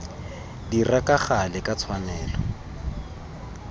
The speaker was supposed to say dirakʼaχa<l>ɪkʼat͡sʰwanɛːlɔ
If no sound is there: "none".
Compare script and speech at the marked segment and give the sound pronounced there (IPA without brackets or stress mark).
l